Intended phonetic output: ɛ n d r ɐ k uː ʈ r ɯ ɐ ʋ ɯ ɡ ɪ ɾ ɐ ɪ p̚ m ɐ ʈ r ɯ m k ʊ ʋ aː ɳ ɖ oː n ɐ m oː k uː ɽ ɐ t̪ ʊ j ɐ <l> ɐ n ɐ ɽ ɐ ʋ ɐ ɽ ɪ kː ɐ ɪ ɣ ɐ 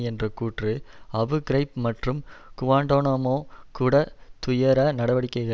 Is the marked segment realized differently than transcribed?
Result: yes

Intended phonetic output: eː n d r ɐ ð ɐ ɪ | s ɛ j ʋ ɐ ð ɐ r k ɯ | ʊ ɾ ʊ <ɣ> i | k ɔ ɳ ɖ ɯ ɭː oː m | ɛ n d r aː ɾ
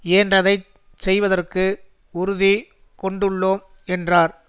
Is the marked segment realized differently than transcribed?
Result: yes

